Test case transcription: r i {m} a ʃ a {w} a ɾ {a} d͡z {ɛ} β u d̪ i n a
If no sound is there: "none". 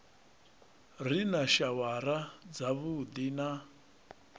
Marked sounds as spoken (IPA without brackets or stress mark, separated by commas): n, w, a, a